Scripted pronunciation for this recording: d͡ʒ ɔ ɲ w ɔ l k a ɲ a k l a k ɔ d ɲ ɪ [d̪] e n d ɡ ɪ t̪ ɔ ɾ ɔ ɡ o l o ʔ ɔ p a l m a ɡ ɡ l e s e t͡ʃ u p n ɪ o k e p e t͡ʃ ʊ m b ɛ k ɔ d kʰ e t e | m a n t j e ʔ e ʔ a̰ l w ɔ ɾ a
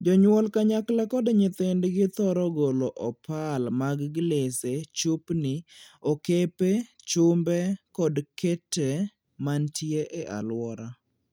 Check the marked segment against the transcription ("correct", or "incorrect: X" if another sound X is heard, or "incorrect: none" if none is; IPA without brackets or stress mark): incorrect: t̪